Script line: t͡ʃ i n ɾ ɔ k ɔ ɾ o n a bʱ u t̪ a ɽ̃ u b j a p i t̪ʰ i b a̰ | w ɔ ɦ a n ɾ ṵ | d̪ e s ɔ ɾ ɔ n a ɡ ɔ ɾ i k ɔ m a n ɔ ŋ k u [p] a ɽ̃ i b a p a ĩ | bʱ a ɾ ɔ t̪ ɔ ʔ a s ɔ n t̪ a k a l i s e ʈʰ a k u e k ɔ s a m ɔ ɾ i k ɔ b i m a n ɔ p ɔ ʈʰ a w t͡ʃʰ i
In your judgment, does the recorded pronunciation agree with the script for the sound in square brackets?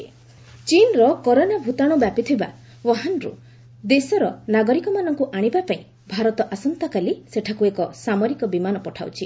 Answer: no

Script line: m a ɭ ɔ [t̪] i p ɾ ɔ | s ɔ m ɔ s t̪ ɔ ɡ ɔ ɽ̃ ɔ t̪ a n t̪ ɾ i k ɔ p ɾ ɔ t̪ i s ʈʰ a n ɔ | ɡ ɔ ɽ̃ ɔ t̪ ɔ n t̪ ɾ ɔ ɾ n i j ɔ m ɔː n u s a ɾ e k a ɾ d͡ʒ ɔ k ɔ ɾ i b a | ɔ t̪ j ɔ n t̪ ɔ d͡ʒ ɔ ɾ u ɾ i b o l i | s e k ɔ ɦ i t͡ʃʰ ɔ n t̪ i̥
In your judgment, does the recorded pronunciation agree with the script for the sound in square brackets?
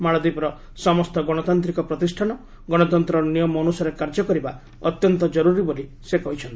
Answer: no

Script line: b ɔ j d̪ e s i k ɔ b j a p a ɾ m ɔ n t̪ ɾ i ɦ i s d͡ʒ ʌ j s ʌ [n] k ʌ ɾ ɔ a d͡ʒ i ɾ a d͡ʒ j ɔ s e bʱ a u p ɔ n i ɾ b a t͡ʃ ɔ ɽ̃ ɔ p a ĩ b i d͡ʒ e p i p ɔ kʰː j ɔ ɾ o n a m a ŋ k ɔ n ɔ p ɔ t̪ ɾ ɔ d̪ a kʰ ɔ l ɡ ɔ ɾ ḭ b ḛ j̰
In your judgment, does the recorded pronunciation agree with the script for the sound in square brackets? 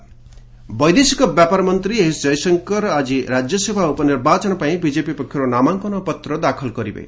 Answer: no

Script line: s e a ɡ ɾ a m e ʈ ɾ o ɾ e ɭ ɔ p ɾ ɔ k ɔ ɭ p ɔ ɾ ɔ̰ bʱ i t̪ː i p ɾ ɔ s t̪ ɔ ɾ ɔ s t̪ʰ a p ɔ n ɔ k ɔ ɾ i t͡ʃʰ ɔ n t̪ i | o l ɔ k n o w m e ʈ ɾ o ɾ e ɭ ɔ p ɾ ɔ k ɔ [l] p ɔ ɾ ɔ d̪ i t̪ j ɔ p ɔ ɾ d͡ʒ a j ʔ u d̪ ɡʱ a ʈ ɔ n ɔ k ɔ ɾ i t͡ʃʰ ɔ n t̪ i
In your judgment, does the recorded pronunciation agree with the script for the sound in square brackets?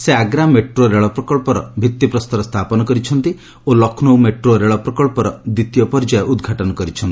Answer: no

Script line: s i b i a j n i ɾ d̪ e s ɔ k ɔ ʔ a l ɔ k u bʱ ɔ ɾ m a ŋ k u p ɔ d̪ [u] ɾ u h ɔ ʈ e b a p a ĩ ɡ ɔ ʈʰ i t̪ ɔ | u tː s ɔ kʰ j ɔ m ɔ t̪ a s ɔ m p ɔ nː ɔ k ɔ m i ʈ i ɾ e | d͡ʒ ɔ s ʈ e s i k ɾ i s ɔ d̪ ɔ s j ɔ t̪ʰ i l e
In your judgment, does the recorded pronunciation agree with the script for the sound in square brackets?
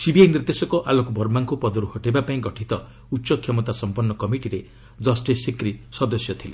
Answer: no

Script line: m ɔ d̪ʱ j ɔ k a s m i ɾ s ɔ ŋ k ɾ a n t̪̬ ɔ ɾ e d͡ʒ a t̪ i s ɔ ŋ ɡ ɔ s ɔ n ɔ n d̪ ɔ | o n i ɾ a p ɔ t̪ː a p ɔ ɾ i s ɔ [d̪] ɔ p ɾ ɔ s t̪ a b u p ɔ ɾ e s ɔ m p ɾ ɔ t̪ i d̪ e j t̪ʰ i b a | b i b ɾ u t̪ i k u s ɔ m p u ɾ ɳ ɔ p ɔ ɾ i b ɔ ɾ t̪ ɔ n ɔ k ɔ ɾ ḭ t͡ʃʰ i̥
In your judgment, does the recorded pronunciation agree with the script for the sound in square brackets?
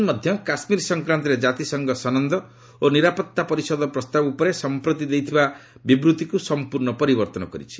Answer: yes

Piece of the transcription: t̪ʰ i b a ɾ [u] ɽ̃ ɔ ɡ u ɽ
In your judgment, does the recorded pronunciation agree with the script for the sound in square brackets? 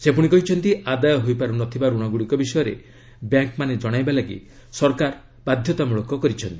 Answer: yes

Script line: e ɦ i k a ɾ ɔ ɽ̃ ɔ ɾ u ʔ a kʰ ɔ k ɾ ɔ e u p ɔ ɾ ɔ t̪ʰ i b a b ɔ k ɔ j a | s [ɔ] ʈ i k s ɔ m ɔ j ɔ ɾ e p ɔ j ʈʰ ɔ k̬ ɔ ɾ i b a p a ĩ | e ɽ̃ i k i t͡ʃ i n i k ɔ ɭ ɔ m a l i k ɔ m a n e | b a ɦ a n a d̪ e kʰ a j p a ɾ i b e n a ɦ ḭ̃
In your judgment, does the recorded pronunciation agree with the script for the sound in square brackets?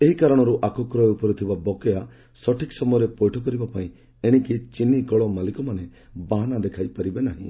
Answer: yes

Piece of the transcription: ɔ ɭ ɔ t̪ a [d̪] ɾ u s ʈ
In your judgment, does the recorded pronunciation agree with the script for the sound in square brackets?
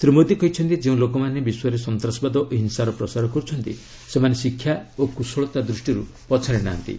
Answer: yes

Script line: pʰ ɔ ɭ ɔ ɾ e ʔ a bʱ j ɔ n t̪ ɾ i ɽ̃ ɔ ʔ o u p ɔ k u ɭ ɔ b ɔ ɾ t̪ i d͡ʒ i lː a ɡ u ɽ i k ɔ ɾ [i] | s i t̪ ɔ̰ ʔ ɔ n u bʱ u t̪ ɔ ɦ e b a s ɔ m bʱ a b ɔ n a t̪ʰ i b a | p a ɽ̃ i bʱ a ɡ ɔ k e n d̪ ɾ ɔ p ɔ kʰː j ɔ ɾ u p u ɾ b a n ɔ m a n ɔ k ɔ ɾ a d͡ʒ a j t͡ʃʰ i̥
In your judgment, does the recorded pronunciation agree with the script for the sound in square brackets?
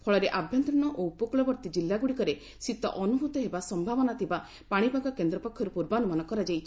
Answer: no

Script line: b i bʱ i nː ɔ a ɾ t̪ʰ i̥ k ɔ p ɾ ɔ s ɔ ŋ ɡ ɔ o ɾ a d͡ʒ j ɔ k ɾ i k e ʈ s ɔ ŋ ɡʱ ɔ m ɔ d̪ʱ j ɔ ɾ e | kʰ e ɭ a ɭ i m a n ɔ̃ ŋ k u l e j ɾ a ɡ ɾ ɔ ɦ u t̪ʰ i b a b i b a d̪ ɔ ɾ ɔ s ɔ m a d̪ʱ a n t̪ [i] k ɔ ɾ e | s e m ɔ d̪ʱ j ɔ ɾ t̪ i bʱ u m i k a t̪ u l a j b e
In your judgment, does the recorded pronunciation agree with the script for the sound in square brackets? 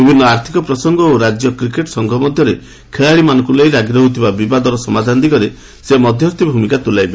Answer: yes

